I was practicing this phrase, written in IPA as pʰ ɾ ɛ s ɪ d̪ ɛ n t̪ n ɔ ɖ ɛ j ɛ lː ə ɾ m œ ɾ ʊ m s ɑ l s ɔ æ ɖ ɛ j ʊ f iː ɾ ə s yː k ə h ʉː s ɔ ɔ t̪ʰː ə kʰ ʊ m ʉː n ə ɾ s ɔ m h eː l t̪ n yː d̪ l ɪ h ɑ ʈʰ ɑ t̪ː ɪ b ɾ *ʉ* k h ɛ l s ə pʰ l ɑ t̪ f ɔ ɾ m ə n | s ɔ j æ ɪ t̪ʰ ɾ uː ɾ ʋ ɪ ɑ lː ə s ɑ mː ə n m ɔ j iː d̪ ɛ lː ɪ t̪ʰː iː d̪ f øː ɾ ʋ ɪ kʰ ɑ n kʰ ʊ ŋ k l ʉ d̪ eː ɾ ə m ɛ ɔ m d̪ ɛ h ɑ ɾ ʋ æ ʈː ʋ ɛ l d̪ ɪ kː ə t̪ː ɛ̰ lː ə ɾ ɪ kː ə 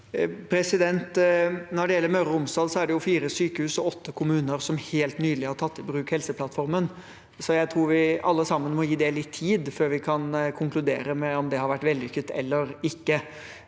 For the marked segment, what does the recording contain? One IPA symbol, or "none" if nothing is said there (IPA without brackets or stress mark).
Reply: ʉː